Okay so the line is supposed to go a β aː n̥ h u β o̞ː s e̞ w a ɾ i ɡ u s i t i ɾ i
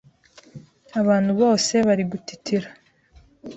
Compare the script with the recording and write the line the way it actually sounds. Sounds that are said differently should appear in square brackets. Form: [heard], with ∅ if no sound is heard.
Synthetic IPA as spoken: a β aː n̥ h u β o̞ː s e̞ [β] a ɾ i ɡ u [t] i t i ɾ [a]